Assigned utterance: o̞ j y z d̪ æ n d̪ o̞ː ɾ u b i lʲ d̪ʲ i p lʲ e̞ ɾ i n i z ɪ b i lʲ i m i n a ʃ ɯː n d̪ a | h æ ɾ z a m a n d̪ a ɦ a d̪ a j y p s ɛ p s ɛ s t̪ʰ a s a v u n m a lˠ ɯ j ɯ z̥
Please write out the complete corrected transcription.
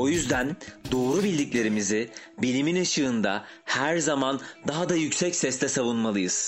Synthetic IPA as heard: o̞ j y z d̪ æ n d̪ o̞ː ɾ u b i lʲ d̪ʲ i c lʲ e̞ ɾ i m i z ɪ b i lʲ i m i n a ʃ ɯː n d̪ a | h æ ɾ z a m a n d̪ a ɦ a d̪ a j y c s ɛ c s ɛ s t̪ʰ ɛ s a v u n m a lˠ ɯ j ɯ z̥